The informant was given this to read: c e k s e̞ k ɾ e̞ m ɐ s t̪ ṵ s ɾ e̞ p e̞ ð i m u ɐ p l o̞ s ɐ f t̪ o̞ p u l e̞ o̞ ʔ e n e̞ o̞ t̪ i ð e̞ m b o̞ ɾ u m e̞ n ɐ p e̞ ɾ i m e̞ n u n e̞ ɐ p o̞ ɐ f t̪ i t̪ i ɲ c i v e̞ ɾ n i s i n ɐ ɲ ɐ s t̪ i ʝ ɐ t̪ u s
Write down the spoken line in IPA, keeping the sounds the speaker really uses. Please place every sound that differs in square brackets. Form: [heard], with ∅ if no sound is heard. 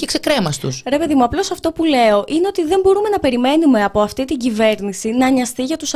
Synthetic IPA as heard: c e k s e̞ k ɾ e̞ m ɐ s t̪ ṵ s ɾ e̞ p e̞ ð i m u ɐ p l o̞ s ɐ f t̪ o̞ p u l e̞ o̞ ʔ [i] n e̞ o̞ t̪ i ð e̞ m b o̞ ɾ u m e̞ n ɐ p e̞ ɾ i m e̞ n u [m] e̞ ɐ p o̞ ɐ f t̪ i t̪ i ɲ [ɟ] i v e̞ ɾ n i s i n ɐ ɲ ɐ s t̪ i ʝ ɐ t̪ u s